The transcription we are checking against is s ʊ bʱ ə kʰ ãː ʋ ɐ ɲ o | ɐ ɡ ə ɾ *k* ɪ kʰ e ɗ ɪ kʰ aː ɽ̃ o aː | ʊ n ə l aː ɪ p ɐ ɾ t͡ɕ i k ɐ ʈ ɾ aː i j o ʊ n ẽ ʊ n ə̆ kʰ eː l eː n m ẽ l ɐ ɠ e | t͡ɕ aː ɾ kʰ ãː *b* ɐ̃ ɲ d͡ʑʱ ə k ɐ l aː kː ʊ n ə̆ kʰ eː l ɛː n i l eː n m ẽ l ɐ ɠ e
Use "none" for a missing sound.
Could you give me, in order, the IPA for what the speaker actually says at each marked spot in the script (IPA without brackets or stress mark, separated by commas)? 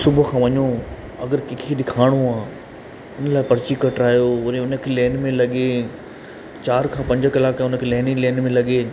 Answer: k, p